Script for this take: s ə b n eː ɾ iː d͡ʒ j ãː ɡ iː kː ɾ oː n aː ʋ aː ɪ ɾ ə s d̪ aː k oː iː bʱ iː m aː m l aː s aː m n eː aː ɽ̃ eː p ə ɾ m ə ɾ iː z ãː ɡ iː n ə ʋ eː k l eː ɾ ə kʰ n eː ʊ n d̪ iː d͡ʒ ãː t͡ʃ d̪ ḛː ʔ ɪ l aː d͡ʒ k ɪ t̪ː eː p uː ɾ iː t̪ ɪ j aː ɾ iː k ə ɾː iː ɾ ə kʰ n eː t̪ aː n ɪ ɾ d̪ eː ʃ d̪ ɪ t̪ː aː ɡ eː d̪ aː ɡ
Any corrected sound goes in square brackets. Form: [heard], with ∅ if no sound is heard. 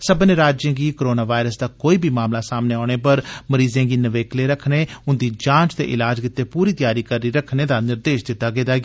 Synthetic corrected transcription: s ə b n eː ɾ [aː] d͡ʒ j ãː ɡ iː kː ɾ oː n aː ʋ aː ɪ ɾ ə s d̪ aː k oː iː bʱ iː m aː m l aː s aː m n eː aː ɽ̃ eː p ə ɾ m ə ɾ iː z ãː ɡ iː n ə ʋ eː k l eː ɾ ə kʰ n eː ʊ n d̪ iː d͡ʒ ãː t͡ʃ [t̪] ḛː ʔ ɪ l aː d͡ʒ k ɪ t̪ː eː p uː ɾ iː t̪ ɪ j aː ɾ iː k ə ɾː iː ɾ ə kʰ n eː [d̪] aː n ɪ ɾ d̪ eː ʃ d̪ ɪ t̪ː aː ɡ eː d̪ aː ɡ

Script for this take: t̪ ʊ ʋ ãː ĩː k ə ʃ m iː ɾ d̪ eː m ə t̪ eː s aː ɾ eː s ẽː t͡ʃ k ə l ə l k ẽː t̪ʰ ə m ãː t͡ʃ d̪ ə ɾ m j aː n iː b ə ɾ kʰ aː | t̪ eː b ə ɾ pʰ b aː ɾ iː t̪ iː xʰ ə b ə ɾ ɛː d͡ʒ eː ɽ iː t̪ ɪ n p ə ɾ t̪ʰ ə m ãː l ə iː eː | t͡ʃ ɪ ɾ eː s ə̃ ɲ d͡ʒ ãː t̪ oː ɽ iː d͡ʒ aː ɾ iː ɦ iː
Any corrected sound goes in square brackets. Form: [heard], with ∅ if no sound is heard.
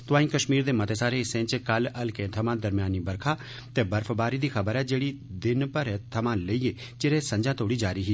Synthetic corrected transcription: t̪ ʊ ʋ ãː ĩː k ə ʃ m iː ɾ d̪ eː m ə t̪ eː s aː ɾ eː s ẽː t͡ʃ k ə l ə l k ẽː t̪ʰ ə m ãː [∅] d̪ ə ɾ m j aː n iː b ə ɾ kʰ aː | t̪ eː b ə ɾ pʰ b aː ɾ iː [d̪] iː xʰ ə b ə ɾ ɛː d͡ʒ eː ɽ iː [d̪] ɪ n p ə ɾ t̪ʰ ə m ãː l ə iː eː | t͡ʃ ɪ ɾ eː s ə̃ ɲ d͡ʒ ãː t̪ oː ɽ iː d͡ʒ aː ɾ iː ɦ iː

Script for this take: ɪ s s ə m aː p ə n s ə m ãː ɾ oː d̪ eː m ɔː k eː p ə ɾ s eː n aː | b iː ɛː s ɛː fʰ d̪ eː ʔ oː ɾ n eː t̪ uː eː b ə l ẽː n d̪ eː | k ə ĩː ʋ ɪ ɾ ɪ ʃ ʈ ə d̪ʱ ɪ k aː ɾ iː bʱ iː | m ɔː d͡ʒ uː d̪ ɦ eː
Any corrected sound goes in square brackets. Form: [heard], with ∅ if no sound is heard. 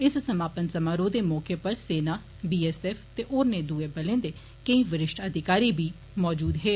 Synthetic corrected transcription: ɪ s s ə m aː p ə n s ə m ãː ɾ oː d̪ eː m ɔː k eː p ə ɾ s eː n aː | b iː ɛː s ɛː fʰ [t̪] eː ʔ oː ɾ n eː [d̪] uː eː b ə l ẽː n d̪ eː | k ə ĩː ʋ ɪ ɾ ɪ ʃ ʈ ə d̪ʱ ɪ k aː ɾ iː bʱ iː | m ɔː d͡ʒ uː d̪ ɦ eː

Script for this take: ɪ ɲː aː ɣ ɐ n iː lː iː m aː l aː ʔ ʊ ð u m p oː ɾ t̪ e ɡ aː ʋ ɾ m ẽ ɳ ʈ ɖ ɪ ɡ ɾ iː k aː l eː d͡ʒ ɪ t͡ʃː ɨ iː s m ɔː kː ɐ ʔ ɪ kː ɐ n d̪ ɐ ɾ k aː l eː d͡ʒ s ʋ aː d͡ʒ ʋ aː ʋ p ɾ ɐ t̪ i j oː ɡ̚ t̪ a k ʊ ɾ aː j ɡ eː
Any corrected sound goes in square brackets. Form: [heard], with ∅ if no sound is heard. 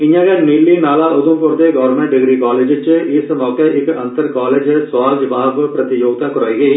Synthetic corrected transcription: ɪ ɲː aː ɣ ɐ n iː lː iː [n] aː l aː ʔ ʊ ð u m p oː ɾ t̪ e ɡ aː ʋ ɾ m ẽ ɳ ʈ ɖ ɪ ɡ ɾ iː k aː l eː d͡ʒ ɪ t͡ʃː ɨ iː s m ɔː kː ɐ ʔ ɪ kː ɐ n [t̪] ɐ ɾ k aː l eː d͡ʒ s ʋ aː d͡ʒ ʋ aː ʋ p ɾ ɐ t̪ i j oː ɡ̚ t̪ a k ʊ ɾ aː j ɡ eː

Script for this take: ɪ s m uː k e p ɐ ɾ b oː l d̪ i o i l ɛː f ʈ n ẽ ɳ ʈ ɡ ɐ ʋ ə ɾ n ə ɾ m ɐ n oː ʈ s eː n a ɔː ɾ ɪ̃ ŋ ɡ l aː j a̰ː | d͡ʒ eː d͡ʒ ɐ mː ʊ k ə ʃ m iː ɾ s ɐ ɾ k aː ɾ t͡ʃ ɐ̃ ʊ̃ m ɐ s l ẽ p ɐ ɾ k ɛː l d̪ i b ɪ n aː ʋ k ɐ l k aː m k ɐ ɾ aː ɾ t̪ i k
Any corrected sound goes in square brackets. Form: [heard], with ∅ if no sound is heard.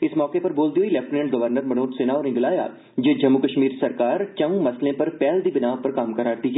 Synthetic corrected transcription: ɪ s m [ɔː] k e p ɐ ɾ b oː l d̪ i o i l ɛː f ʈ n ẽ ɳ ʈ ɡ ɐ ʋ ə ɾ n ə ɾ m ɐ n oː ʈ s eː n a ɔː ɾ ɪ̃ ŋ ɡ l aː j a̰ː | d͡ʒ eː d͡ʒ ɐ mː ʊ k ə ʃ m iː ɾ s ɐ ɾ k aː ɾ t͡ʃ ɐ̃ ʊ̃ m ɐ s l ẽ p ɐ ɾ [p] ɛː l d̪ i b ɪ n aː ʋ [p] ɐ [ɾ] k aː m k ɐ ɾ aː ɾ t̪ i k

